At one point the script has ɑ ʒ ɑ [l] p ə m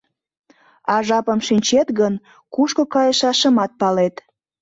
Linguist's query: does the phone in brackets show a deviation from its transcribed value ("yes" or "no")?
yes